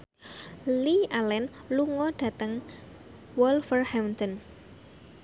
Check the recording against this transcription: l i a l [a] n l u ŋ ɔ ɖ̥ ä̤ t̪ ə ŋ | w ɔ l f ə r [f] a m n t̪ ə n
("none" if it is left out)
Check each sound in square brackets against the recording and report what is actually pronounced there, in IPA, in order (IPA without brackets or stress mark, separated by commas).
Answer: ɛ, h